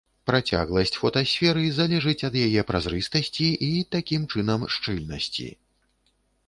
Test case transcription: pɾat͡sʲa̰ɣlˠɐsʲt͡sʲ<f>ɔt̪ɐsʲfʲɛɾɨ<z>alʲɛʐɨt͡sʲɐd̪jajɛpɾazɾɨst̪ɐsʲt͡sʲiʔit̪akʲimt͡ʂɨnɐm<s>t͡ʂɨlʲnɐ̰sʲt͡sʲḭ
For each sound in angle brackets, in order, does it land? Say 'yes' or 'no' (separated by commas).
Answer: yes, yes, no